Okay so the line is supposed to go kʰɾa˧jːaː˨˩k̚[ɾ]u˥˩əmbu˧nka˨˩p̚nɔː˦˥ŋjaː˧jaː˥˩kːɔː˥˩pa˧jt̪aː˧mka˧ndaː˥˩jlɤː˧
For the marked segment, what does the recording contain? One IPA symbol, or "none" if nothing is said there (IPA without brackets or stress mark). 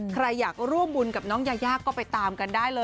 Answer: ɾ